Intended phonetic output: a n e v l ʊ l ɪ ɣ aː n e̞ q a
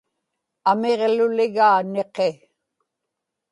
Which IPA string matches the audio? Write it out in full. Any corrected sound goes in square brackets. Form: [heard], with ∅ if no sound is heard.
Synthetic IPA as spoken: a [m] e [ʁ] l ʊ l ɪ ɣ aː n e̞ q [e]